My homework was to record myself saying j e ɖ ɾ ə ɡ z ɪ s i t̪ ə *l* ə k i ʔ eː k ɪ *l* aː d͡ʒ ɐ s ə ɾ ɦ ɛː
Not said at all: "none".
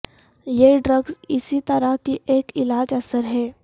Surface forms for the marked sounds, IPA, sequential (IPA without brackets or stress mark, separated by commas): ɾ, l